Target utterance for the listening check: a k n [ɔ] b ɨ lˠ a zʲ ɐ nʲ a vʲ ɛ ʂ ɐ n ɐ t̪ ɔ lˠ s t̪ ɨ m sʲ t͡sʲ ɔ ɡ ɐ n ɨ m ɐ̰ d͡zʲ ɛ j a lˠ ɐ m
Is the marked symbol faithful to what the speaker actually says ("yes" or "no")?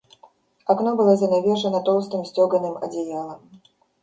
yes